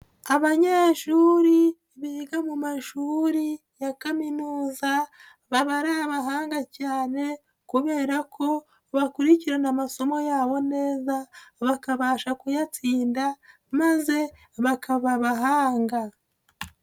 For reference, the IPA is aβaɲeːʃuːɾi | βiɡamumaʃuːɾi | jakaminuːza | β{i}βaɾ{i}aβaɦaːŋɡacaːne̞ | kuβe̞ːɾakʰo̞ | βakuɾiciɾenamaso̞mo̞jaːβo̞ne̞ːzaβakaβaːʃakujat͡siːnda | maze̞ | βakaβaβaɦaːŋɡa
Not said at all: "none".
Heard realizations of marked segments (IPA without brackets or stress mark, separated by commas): a, a